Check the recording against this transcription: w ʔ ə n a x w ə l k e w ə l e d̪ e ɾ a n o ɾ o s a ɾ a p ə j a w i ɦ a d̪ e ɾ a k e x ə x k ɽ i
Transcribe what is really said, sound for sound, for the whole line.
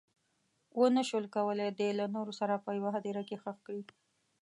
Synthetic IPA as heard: w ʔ ə n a ʃ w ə l k a w ə l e d̪ e l a n o ɾ o s a ɾ a p ə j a w a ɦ a d̪ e ɾ a k e x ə x k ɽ i